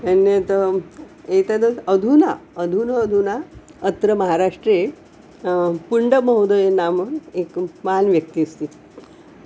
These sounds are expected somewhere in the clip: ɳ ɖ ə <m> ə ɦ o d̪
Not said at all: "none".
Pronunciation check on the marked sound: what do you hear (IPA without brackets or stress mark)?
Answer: m